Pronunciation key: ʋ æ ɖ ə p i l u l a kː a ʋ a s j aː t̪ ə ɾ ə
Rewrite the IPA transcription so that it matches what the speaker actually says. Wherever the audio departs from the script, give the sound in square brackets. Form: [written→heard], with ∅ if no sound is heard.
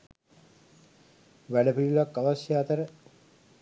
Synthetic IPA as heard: ʋ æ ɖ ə p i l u l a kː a ʋ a s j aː t̪ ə ɾ ə